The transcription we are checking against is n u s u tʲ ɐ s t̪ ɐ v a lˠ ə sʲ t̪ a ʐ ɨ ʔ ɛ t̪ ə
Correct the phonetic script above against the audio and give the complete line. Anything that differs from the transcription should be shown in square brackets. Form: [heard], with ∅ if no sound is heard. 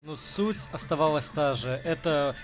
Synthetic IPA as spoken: n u s u tʲ ɐ s t̪ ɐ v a lˠ ə sʲ t̪ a ʐ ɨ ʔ ɛ t̪ ə